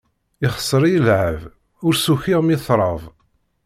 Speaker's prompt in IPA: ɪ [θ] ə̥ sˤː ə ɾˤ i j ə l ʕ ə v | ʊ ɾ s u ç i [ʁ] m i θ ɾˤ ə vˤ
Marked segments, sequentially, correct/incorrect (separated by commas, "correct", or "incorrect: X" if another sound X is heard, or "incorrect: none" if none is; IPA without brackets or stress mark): incorrect: χ, correct